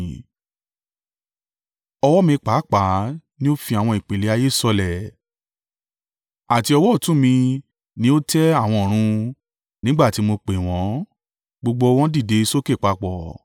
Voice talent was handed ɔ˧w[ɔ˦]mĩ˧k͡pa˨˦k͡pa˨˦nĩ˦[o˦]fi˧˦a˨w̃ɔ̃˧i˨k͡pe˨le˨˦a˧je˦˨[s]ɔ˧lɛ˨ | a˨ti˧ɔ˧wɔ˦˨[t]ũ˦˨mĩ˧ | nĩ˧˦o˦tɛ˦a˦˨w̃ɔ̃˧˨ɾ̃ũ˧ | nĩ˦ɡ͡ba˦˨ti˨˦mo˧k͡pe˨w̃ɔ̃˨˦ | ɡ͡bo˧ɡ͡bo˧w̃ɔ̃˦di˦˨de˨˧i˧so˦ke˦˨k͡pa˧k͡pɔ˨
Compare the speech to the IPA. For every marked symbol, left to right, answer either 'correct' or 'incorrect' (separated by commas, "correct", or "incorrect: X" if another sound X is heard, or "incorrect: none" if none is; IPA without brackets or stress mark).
correct, correct, correct, correct